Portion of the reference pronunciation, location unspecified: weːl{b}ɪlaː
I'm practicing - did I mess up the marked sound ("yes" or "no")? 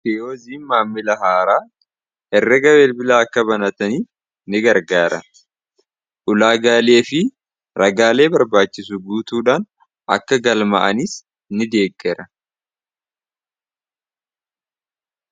no